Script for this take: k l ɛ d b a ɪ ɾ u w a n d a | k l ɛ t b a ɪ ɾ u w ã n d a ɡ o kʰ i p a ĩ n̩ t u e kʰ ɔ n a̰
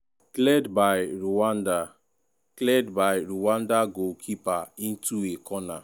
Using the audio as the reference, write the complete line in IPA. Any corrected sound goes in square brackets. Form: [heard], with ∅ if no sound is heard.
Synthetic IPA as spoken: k l ɛ d b a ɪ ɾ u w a n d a | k l ɛ [d] b a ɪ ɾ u w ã n d a ɡ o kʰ i p a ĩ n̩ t u e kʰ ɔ n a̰